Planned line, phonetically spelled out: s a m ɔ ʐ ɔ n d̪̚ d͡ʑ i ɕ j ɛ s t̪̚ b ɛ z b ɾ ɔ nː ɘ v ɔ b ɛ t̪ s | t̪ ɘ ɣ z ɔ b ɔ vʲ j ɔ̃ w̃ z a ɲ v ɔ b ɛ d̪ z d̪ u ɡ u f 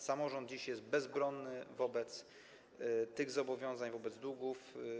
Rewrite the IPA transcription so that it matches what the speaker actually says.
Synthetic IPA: s a m ɔ ʐ ɔ n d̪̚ d͡ʑ i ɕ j ɛ s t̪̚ b ɛ z b ɾ ɔ nː ɘ v ɔ b ɛ t̪ s | t̪ ɘ ɣ z ɔ b ɔ vʲ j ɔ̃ w̃ z a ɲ v ɔ b ɛ d̪ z d̪ u ɡ u f

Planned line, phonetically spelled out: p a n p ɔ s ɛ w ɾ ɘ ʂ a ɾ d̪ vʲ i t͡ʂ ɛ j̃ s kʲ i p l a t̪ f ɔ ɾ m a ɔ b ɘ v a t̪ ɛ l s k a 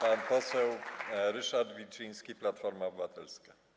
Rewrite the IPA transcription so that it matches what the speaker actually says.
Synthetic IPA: p a n p ɔ s ɛ w ɾ ɘ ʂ a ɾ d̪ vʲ i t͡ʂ i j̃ s kʲ i p l a t̪ f ɔ ɾ m a ɔ b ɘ v a t̪ ɛ l s k a

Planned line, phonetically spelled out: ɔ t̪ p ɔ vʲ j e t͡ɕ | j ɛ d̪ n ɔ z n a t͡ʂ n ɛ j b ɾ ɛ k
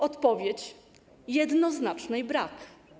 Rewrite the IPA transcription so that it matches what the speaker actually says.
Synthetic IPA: ɔ t̪ p ɔ vʲ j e t͡ɕ | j ɛ d̪ n ɔ z n a t͡ʂ n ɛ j b ɾ a k

